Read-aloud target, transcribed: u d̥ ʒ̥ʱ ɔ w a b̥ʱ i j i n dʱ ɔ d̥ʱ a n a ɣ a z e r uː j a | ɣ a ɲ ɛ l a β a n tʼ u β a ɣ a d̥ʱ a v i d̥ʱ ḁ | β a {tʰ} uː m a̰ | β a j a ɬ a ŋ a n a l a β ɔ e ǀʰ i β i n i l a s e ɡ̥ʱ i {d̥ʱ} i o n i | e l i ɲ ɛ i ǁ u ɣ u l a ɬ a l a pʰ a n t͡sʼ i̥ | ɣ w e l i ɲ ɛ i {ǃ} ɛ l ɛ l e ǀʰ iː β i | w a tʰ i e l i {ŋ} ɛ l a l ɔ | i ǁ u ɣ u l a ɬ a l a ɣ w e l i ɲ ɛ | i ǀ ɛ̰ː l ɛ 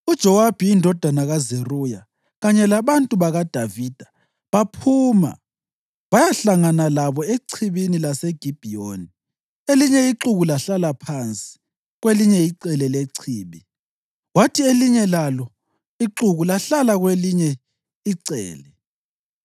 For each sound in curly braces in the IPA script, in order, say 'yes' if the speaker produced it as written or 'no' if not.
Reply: no, no, no, no

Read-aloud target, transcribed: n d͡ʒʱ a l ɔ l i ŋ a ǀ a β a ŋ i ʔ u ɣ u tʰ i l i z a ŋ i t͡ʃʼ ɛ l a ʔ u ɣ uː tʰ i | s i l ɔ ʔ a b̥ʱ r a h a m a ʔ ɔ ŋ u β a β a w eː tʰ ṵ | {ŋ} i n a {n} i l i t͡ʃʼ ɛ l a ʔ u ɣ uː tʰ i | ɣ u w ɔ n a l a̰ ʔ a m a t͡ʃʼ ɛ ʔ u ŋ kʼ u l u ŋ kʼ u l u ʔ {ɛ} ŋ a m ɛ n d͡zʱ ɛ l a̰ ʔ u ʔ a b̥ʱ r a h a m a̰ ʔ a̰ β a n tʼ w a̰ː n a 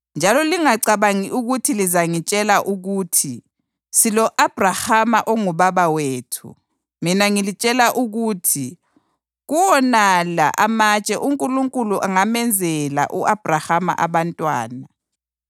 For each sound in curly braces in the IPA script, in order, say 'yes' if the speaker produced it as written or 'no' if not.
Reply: no, no, no

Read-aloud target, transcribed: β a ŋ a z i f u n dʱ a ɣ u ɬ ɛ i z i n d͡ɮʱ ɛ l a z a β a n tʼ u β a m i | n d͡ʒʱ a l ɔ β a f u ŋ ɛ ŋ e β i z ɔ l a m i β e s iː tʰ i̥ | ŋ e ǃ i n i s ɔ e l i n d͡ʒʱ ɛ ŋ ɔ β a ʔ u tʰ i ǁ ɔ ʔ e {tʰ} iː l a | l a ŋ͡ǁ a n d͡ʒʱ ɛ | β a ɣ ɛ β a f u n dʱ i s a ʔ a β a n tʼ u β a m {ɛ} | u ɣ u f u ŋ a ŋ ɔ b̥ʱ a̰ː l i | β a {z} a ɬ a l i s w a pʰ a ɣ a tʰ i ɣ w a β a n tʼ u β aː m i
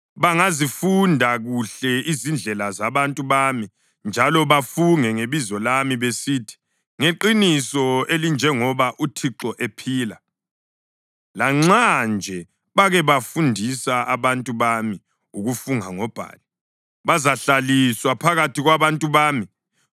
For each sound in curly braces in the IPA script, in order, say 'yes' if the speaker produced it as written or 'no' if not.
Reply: no, no, yes

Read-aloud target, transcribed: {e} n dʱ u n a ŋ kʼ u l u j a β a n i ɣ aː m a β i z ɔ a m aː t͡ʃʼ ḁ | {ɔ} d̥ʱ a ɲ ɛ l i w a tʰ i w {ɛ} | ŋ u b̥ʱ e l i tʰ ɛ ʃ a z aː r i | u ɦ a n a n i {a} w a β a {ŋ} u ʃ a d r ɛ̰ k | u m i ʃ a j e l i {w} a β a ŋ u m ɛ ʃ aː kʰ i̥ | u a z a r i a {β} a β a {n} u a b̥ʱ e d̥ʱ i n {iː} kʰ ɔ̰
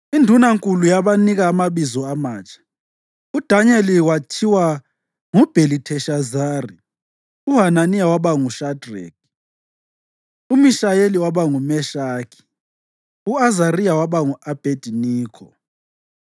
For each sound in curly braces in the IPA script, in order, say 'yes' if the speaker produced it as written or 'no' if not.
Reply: no, no, no, yes, yes, yes, no, no, yes

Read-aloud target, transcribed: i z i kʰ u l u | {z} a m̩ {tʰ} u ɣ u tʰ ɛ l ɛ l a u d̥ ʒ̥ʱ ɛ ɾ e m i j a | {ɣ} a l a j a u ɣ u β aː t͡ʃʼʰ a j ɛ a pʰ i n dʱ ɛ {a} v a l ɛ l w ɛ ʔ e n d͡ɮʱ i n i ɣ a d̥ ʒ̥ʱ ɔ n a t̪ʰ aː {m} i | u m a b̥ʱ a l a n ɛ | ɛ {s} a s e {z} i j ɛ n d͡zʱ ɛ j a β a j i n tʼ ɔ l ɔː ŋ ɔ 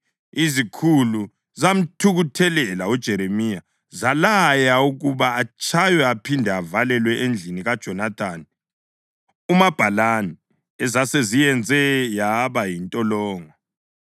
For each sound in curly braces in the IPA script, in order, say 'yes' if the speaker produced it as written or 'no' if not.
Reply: yes, yes, no, yes, no, no, yes

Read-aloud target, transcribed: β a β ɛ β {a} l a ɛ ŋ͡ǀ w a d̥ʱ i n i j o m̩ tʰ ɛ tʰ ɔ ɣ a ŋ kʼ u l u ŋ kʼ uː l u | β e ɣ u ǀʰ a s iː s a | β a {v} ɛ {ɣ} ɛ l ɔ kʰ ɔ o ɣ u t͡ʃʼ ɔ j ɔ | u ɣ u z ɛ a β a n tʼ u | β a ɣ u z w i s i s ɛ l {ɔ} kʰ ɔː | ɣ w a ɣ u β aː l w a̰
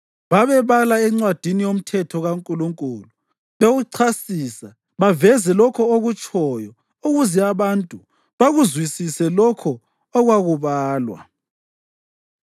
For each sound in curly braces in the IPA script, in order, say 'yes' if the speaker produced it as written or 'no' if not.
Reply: yes, yes, no, yes

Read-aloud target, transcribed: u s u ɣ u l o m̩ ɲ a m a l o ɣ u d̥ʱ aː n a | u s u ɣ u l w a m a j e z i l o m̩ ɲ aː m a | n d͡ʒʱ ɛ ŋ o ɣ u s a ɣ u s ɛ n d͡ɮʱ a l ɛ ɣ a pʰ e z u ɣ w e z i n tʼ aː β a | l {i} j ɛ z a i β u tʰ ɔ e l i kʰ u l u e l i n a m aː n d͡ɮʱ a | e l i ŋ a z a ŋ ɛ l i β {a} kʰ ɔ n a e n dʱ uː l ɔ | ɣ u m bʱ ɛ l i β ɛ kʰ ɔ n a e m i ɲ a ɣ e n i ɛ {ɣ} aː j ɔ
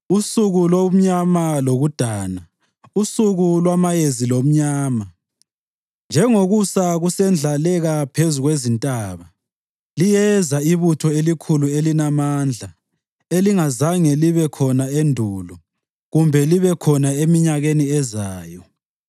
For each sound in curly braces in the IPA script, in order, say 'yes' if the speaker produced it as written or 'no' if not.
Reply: yes, no, no

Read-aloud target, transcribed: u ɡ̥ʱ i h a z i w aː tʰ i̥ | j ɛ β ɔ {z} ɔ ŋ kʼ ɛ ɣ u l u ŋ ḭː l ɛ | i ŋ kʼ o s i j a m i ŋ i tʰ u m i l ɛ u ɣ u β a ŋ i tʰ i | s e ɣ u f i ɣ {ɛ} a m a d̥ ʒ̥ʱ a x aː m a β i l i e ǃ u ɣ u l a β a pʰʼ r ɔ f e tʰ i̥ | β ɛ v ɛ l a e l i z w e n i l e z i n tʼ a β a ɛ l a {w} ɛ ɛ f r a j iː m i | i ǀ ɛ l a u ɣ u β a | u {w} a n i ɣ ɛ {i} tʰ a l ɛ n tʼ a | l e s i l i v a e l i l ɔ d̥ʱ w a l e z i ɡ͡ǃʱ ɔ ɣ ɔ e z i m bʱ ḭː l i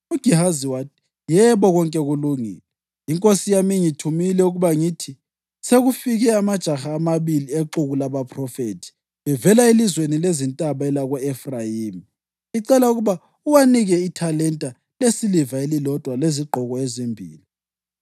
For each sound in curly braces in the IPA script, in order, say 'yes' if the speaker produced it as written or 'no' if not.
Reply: no, yes, no, yes, yes

